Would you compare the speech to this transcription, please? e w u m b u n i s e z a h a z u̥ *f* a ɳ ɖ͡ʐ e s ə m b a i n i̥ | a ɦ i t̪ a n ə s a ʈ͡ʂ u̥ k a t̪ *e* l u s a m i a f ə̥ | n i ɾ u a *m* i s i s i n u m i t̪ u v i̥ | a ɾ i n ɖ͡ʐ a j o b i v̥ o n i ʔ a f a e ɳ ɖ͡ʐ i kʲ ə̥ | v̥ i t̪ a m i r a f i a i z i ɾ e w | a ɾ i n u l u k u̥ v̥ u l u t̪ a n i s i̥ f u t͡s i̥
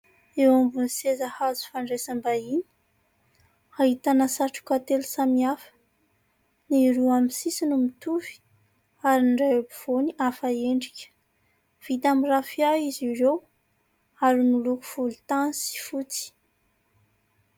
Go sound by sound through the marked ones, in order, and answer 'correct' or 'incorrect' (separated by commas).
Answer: correct, correct, correct